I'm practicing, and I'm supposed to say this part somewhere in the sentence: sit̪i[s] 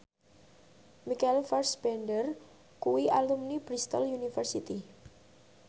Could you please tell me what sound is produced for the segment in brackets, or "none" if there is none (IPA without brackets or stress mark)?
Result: none